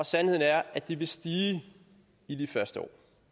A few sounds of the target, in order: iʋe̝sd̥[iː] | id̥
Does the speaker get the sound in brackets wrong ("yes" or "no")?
no